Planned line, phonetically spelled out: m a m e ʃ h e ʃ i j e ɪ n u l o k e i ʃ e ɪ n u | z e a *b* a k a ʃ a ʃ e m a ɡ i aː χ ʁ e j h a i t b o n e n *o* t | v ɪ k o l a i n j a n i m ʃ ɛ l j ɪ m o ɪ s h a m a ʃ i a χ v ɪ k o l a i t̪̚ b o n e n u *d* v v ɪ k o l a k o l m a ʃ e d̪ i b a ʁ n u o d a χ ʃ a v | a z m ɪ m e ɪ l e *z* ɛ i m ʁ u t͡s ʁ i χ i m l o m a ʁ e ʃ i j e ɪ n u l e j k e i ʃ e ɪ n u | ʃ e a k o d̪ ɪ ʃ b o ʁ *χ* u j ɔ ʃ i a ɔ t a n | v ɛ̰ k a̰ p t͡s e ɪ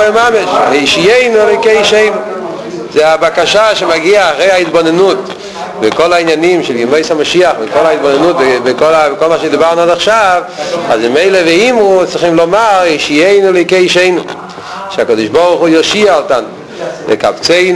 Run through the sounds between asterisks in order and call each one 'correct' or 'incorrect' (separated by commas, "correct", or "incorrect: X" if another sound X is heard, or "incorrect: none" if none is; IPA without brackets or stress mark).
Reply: correct, incorrect: u, incorrect: t, incorrect: v, correct